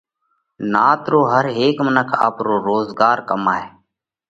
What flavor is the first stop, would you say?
plain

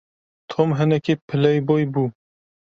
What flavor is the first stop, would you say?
aspirated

